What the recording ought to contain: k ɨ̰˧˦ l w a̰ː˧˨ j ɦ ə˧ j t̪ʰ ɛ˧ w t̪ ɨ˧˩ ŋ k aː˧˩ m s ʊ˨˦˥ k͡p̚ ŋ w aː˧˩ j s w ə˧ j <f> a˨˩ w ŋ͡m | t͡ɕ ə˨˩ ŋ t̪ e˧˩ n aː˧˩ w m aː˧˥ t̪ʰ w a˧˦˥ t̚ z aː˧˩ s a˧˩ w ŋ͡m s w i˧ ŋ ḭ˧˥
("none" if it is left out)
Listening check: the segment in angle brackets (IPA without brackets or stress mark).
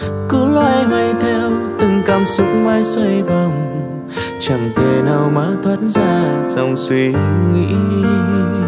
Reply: v